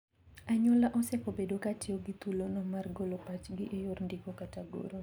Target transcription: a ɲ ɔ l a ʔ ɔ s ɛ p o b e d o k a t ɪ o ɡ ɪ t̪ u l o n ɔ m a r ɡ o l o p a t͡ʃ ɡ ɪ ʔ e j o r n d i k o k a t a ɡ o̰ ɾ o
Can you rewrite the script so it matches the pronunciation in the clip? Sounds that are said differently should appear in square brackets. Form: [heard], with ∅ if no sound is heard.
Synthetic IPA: a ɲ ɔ l a ʔ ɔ s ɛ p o b e d o k a t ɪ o ɡ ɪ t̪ u l o n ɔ m a r ɡ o l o p a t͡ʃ ɡ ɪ ʔ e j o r n d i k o k a t a ɡ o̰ ɾ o

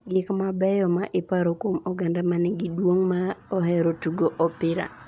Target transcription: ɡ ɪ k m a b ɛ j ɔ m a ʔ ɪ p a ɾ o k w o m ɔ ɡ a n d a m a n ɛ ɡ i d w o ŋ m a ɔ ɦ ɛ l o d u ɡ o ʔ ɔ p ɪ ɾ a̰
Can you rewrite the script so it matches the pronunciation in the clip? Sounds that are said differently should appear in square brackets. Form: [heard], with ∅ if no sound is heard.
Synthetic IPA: ɡ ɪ k m a b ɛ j ɔ m a ʔ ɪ p a ɾ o k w o m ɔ ɡ a n d a m a n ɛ ɡ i d w o ŋ m a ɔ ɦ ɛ [ɾ] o [t] u ɡ o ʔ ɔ p ɪ ɾ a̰

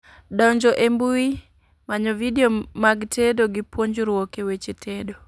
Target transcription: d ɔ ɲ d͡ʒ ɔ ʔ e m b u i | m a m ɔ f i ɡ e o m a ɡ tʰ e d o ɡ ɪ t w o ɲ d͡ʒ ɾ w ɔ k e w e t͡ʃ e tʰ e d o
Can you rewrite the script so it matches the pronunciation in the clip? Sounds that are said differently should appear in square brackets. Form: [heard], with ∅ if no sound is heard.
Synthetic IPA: d ɔ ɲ d͡ʒ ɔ ʔ e m b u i | m a [ɲ] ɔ [v] i [d] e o m a ɡ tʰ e d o ɡ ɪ [p] w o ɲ d͡ʒ ɾ w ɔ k e w e t͡ʃ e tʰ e d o

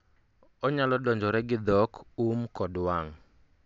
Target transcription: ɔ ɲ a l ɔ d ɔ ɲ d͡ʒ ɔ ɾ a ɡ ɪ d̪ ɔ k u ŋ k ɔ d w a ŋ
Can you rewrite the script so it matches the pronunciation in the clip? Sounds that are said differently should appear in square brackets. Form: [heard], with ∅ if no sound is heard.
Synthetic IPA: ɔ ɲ a l ɔ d ɔ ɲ d͡ʒ ɔ ɾ [ɛ] ɡ ɪ d̪ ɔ k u [m] k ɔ d w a ŋ

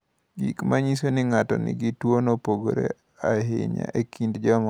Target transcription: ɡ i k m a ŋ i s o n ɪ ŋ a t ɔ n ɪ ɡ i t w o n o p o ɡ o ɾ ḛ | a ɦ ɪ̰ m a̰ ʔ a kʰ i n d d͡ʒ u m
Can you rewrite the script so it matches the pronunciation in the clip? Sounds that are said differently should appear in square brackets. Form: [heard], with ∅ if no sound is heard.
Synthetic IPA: ɡ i k m a [ɲ] i s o n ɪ ŋ a t ɔ n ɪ ɡ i t w o n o p o ɡ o ɾ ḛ | a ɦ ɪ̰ [ɲ] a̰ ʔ [e] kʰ i n d d͡ʒ [ɔ] m

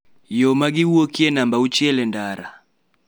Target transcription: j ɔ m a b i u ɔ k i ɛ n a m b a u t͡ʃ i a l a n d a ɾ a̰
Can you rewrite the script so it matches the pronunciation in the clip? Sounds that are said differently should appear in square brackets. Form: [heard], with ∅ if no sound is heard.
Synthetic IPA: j ɔ m a [ɡ] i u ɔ k i ɛ n a m b a u t͡ʃ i [ɛ] l [ɛ] n d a ɾ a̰

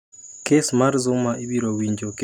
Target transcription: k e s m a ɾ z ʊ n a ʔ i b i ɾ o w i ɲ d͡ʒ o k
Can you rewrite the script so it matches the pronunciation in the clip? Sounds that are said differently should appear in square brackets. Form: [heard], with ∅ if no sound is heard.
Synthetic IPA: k e s m a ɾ z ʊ [m] a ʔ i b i ɾ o w i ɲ d͡ʒ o k

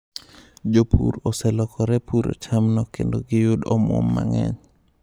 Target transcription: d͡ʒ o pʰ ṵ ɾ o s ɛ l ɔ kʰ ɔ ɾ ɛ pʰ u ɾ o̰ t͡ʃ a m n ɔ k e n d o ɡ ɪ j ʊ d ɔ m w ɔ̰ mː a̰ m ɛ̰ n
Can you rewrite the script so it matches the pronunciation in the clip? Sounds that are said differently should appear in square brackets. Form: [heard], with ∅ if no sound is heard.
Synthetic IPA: d͡ʒ o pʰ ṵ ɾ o s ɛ l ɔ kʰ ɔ ɾ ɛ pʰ u ɾ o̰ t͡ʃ a m n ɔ k e n d o ɡ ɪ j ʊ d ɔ m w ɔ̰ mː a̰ [ŋ] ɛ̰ [ɲ]

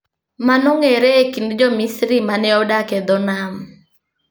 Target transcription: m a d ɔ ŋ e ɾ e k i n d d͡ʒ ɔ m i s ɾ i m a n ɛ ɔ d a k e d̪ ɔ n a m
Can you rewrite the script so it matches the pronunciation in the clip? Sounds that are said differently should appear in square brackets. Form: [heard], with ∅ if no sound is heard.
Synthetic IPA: m a [n] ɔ ŋ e ɾ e k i n d d͡ʒ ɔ m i s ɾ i m a n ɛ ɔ d a k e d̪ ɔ n a m

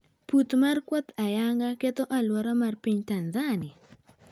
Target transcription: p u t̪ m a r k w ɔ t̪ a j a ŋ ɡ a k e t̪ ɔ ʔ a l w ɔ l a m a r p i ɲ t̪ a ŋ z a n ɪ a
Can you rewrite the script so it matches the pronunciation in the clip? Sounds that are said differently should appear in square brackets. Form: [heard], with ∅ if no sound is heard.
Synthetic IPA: p u t̪ m a r k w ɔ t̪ a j a ŋ ɡ a k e t̪ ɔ ʔ a l w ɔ [ɾ] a m a r p i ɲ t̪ a [n] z a n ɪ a

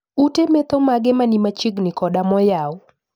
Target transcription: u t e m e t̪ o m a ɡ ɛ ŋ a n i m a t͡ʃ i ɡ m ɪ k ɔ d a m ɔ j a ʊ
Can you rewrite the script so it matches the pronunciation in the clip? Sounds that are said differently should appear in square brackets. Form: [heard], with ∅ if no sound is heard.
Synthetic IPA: u t e m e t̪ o m a ɡ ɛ [m] a n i m a t͡ʃ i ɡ [n] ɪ k ɔ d a m ɔ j a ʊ

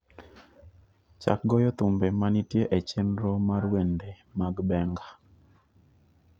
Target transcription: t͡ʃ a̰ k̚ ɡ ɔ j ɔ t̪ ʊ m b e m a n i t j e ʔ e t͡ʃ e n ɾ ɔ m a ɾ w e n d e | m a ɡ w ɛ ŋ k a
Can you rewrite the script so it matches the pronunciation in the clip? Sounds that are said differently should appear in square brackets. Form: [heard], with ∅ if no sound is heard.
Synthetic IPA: t͡ʃ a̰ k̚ ɡ ɔ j ɔ t̪ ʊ m b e m a n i t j e ʔ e t͡ʃ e n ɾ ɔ m a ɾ w e n d e | m a ɡ [b] ɛ ŋ [ɡ] a

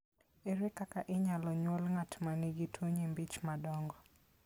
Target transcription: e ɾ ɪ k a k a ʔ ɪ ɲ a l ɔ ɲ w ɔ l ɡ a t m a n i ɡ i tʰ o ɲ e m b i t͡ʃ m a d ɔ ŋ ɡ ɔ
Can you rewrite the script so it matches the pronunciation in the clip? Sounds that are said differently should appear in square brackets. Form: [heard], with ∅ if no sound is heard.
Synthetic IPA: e ɾ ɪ k a k a ʔ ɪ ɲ a l ɔ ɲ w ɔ l [ŋ] a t m a n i ɡ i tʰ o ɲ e m b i t͡ʃ m a d ɔ ŋ ɡ ɔ

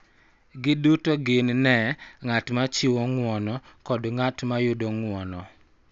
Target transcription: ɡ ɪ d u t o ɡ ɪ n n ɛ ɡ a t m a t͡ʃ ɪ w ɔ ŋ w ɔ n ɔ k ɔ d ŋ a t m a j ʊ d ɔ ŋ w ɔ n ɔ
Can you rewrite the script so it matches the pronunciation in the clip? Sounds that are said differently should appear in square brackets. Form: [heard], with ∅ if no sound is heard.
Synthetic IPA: ɡ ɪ d u t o ɡ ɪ n n ɛ [ŋ] a t m a t͡ʃ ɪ w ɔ ŋ w ɔ n ɔ k ɔ d ŋ a t m a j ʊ d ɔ ŋ w ɔ n ɔ

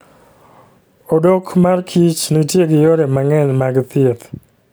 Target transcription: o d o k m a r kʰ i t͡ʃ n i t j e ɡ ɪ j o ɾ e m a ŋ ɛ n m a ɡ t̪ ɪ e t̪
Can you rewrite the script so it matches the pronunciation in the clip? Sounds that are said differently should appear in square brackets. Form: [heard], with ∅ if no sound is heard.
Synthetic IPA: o d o k m a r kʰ i t͡ʃ n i t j e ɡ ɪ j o ɾ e m a ŋ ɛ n m a ɡ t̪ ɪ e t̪

